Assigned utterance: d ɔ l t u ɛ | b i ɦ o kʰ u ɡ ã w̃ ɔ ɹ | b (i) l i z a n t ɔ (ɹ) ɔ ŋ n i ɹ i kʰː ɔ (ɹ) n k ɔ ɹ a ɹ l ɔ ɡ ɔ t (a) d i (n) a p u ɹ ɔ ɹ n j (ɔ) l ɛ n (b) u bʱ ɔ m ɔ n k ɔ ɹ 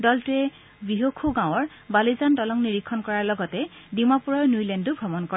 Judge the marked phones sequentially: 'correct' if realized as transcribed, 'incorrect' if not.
incorrect, incorrect, incorrect, incorrect, incorrect, incorrect, incorrect

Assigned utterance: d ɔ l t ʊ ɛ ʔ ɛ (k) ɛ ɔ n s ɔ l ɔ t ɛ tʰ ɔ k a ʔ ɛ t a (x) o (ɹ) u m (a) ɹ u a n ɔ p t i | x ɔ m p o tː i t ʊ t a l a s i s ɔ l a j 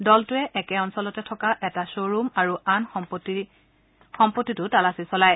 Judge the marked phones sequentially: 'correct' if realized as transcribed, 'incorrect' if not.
correct, incorrect, correct, correct

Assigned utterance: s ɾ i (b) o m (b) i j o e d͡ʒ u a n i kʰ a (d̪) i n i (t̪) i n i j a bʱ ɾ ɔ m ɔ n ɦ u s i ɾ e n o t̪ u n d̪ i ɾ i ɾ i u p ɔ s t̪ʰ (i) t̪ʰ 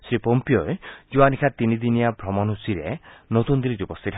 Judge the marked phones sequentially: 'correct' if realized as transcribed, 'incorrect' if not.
incorrect, incorrect, incorrect, incorrect, correct

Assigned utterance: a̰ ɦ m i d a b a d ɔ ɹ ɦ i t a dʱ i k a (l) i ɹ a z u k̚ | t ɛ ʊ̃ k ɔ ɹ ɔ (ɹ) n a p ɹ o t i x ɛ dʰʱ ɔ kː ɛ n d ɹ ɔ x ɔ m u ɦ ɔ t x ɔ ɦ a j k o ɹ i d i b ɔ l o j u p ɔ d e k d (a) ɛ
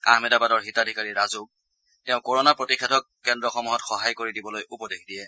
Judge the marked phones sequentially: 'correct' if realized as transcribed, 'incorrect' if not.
incorrect, incorrect, incorrect

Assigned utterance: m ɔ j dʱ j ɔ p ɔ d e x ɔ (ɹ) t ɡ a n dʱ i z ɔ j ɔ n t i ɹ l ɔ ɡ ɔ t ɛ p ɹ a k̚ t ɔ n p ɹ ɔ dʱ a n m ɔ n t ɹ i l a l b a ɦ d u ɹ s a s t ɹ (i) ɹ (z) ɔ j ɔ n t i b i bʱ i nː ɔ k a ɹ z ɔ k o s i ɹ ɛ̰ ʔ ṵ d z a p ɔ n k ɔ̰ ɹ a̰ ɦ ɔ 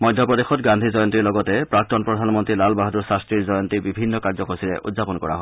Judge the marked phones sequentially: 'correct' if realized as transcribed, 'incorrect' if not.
incorrect, correct, correct

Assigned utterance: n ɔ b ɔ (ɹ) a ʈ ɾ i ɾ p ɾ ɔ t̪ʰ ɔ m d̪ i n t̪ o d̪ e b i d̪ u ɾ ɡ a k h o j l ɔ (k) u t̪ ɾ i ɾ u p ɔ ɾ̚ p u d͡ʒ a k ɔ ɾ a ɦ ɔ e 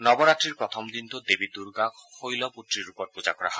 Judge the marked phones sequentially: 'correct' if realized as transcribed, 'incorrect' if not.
incorrect, incorrect

